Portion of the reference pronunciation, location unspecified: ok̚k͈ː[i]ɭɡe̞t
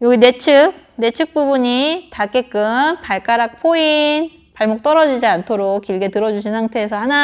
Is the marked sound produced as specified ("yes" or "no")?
yes